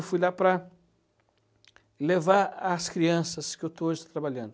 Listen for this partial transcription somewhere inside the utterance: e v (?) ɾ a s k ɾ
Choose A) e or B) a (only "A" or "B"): B